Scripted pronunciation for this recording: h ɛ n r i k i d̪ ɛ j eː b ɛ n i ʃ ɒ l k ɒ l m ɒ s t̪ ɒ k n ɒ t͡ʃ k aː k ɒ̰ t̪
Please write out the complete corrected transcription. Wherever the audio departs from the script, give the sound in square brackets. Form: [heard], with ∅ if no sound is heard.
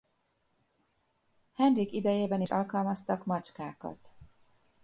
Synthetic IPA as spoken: h ɛ n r i k i d̪ ɛ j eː b ɛ n i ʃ ɒ l k ɒ l m ɒ s t̪ ɒ k [m] ɒ t͡ʃ k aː k ɒ̰ t̪